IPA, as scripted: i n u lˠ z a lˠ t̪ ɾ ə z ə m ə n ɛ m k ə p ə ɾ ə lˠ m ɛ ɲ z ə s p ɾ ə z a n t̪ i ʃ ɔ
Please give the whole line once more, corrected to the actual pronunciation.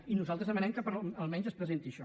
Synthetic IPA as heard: i n u z a lˠ t̪ ɾ ə z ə m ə n ɛ m k ə p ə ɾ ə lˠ m ɛ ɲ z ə s p ɾ ə z e n t̪ i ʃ ɔ